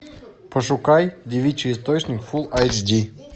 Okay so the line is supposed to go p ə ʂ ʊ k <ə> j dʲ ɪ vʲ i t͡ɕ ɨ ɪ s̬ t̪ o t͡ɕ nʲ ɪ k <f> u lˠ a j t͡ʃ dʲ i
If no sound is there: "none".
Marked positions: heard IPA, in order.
a, f

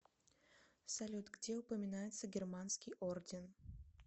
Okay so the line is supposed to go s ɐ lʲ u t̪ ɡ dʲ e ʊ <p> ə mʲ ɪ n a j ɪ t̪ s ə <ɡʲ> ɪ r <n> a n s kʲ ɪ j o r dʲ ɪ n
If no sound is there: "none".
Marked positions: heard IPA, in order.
p, ɡʲ, m

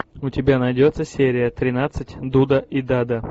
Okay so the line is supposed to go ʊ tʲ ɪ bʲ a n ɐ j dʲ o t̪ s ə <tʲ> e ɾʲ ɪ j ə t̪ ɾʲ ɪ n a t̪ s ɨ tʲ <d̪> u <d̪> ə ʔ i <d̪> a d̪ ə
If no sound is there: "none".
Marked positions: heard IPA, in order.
sʲ, d̪, d̪, d̪

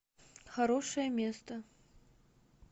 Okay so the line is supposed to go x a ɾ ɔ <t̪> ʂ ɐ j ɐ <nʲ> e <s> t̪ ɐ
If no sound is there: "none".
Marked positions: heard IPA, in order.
none, mʲ, s

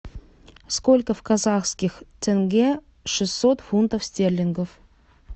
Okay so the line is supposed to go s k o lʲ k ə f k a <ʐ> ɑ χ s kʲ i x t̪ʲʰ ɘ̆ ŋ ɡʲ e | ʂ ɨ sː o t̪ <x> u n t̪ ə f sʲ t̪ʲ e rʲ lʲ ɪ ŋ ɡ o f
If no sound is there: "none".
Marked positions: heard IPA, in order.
z, f

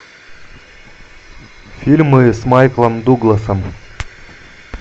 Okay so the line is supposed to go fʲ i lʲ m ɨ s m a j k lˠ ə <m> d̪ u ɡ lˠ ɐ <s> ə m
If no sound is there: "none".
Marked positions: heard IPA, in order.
m, s

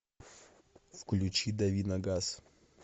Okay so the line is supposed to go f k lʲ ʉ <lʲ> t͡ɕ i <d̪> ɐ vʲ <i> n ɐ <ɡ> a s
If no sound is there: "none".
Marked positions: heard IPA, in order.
none, d̪, i, ɡ

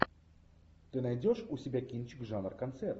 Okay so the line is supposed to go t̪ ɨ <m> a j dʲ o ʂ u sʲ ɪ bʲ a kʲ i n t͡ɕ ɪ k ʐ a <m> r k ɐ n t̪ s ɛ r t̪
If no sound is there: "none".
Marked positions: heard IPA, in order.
n, n

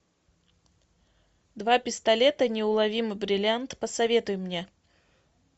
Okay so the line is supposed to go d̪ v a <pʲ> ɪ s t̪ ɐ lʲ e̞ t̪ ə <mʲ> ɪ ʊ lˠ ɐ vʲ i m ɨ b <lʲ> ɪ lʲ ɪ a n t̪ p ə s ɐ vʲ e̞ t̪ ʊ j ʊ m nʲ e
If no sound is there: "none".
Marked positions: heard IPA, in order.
pʲ, nʲ, ɾʲ

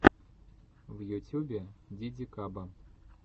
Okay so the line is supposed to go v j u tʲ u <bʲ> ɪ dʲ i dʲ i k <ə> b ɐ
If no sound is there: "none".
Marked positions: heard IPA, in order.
bʲ, a

